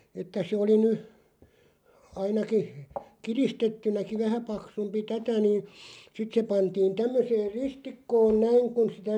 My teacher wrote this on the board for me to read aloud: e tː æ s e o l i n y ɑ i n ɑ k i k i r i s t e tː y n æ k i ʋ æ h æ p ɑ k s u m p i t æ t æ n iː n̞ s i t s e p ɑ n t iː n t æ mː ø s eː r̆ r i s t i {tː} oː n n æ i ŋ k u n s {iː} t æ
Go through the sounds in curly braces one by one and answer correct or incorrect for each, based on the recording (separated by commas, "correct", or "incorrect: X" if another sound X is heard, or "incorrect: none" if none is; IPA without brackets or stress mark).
incorrect: kː, incorrect: i